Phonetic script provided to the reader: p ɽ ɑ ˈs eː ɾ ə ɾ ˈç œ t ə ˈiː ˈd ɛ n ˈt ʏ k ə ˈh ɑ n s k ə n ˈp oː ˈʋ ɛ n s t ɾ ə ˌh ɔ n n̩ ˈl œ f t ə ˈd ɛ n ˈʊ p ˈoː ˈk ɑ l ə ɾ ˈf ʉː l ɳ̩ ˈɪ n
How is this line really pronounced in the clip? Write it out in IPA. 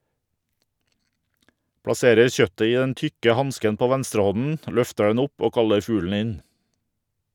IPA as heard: p ɽ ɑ ˈs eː ɾ ə ɾ ˈç œ t ə ˈiː ˈd ɛ n ˈt ʏ k ə ˈh ɑ n s k ə n ˈp oː ˈʋ ɛ n s t ɾ ə ˌh ɔ n n̩ ˈl œ f t ə ˈd ɛ n ˈʊ p ˈoː ˈk ɑ l ə ɾ ˈf ʉː l ɳ̩ ˈɪ n